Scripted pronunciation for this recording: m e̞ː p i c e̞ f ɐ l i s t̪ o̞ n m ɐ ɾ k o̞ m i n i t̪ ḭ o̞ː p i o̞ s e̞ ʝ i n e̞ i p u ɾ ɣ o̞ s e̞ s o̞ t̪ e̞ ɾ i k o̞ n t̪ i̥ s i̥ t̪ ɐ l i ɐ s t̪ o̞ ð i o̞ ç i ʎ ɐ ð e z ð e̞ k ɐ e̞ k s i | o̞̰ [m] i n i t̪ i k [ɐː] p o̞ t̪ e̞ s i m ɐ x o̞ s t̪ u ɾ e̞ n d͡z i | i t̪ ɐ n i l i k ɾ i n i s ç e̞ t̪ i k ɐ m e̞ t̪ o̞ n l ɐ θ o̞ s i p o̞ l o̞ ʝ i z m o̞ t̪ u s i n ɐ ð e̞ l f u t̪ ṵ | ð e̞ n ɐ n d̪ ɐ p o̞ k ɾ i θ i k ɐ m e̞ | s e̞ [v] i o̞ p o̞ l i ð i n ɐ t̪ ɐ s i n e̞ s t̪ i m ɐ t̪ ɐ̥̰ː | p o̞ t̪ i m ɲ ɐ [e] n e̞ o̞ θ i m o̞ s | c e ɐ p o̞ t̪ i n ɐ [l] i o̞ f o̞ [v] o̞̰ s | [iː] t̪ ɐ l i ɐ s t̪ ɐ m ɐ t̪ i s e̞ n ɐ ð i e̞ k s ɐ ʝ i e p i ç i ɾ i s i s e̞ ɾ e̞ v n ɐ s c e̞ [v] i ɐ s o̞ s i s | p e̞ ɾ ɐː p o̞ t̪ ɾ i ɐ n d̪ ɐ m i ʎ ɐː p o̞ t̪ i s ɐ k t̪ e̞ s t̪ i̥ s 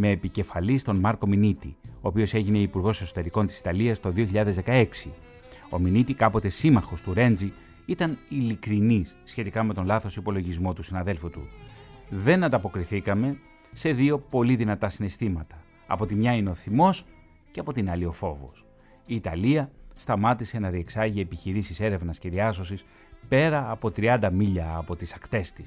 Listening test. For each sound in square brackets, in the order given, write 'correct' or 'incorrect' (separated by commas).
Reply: correct, incorrect, incorrect, incorrect, correct, correct, correct, incorrect